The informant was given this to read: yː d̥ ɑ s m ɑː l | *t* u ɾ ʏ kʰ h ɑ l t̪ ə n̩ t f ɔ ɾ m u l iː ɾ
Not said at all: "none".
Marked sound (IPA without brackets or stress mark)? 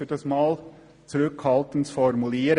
t͡s